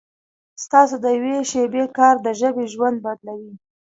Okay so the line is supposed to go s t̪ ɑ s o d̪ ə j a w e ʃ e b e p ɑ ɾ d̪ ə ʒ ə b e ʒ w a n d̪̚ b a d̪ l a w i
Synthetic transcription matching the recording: s t̪ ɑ s o d̪ ə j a w e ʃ e b e k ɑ ɾ d̪ ə ʒ ə b e ʒ w a n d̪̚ b a d̪ l a w i